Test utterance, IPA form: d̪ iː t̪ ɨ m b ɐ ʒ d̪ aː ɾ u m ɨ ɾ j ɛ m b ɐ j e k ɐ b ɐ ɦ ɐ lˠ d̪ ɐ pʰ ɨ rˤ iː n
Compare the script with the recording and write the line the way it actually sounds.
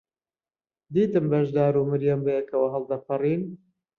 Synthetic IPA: d̪ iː t̪ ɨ m b ɐ ʒ d̪ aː ɾ u m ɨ ɾ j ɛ m b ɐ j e k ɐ w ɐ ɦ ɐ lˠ d̪ ɐ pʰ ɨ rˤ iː n